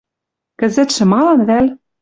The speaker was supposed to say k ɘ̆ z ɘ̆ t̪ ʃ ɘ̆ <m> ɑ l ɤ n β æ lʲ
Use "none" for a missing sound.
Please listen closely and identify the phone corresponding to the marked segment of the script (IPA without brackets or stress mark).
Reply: m